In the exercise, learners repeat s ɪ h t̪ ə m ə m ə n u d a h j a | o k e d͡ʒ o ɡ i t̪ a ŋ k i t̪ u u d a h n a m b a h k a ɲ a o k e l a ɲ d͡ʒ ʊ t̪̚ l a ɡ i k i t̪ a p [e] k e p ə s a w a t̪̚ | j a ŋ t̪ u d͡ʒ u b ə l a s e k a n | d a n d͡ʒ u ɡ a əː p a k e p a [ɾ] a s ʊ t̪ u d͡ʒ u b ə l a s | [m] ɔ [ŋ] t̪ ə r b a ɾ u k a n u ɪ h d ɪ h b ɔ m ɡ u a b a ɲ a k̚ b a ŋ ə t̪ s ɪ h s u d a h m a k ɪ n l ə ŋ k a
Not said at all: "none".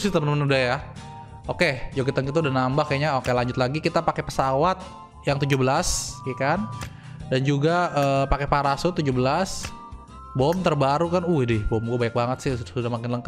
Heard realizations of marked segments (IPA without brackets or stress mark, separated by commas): a, ɾ, b, m